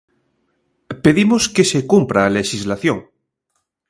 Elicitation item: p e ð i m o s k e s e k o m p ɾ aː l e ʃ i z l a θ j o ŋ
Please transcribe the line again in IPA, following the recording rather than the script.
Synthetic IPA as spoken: p e ð i m o s k e s e k u m p ɾ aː l e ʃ i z l a θ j o ŋ